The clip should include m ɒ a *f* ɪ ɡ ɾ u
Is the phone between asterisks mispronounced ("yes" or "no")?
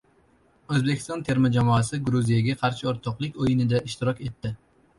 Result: yes